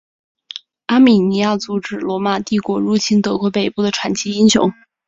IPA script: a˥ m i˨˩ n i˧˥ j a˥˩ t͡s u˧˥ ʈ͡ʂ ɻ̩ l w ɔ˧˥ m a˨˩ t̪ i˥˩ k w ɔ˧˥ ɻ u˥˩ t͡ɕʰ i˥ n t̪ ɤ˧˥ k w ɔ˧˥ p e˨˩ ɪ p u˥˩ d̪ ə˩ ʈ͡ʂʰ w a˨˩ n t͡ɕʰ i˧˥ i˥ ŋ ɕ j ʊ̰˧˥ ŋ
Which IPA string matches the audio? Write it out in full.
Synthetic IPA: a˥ m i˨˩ n i˧˥ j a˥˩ t͡s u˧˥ ʈ͡ʂ ɻ̩ l w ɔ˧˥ m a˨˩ t̪ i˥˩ k w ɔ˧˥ ɻ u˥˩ t͡ɕʰ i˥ n t̪ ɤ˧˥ k w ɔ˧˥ p e˨˩ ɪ p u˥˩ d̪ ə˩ ʈ͡ʂʰ w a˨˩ n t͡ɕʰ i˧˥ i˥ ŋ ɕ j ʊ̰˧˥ ŋ